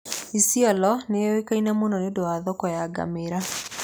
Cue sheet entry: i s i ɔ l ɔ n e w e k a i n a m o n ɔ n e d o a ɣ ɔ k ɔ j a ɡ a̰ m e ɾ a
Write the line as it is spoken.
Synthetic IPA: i s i ɔ l ɔ n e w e k a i n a m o n ɔ n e d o a ð ɔ k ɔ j a ɡ a̰ m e ɾ a